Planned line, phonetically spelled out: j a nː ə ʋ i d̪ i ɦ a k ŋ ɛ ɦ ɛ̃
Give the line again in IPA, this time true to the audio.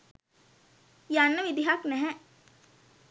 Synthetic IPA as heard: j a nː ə ʋ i d̪ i ɦ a k n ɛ ɦ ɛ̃